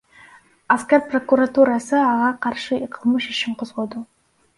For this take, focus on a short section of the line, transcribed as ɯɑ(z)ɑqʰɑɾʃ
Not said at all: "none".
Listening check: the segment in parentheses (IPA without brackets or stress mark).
ʁ